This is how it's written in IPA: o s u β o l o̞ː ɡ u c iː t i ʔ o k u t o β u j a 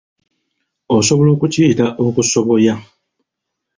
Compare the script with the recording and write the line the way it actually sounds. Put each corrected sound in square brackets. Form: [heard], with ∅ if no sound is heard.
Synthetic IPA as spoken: o s [o] β o l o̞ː [k] u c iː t [a] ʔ o k u [s] o β [o] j a